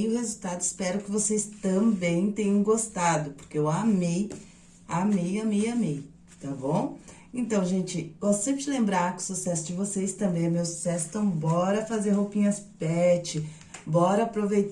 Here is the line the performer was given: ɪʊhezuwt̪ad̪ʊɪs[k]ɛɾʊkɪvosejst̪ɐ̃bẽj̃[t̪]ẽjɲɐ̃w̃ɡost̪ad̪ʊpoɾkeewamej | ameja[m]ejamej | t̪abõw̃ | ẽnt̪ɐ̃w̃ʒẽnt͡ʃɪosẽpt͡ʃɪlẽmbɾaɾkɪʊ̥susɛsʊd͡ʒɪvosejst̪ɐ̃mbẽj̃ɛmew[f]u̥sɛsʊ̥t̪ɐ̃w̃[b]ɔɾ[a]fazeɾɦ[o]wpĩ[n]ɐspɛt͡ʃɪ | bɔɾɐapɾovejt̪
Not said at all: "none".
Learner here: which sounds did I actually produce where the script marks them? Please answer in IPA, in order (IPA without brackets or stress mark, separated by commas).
p, t̪, m, s, b, ɐ, o, ɲ